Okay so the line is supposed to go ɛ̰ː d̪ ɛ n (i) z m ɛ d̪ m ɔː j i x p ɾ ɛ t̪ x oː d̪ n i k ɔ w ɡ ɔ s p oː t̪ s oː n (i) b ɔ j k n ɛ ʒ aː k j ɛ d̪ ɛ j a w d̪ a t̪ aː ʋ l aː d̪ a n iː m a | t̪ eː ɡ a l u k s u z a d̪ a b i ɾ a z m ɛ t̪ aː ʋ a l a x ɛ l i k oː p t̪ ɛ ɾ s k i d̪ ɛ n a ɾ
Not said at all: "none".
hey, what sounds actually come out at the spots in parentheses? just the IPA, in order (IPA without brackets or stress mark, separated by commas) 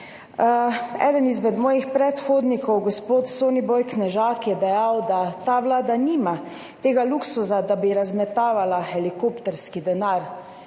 i, i